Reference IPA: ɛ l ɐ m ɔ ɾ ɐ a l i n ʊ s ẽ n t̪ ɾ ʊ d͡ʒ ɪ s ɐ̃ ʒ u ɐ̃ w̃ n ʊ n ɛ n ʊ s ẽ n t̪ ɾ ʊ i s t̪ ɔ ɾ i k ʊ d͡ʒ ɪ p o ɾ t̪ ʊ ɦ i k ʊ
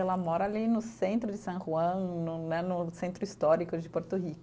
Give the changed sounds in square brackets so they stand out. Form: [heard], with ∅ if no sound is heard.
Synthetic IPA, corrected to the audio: ɛ l ɐ m ɔ ɾ ɐ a l i n ʊ s ẽ n t̪ ɾ ʊ d͡ʒ ɪ s ɐ̃ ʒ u ɐ̃ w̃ n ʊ n ɛ n ʊ s ẽ n t̪ ɾ ʊ i s t̪ ɔ ɾ i k ʊ d͡ʒ ɪ p o ɾ t̪ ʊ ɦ i k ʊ